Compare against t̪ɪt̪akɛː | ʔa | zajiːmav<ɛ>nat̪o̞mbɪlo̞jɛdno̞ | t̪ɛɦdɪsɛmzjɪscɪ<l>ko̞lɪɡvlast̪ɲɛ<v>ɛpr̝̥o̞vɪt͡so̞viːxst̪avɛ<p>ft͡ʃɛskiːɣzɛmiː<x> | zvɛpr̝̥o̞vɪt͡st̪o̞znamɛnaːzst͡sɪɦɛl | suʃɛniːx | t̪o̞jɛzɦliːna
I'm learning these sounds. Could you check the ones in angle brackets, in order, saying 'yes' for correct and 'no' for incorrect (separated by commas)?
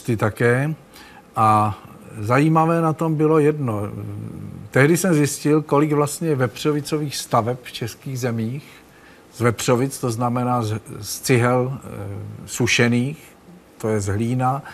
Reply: no, yes, yes, yes, yes